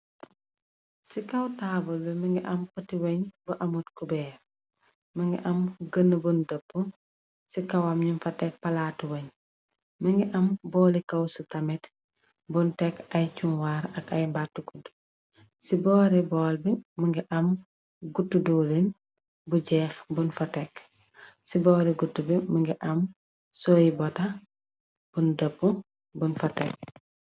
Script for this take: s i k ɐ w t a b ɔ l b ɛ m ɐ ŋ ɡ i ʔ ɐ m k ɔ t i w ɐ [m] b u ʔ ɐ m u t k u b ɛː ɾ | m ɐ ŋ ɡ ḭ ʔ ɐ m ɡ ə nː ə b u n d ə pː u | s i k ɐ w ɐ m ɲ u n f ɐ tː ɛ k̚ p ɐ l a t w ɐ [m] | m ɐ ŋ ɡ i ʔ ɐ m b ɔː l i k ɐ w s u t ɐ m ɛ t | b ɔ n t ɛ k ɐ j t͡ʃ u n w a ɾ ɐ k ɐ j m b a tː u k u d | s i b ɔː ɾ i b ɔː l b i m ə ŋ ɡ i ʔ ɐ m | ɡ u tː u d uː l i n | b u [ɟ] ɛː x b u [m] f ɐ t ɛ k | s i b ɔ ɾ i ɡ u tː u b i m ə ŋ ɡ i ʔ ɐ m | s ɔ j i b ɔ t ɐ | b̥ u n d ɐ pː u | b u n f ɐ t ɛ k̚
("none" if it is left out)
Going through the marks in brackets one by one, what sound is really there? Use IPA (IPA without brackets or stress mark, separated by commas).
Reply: ɲ, ɲ, ɟ, n